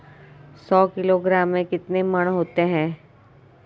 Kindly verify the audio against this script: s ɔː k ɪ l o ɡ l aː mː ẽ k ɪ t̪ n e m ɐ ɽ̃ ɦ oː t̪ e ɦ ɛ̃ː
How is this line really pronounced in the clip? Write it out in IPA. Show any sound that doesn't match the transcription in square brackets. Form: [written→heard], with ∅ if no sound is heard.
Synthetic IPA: s ɔː k ɪ l o ɡ [l→ɾ] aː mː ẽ k ɪ t̪ n e m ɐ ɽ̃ ɦ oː t̪ e ɦ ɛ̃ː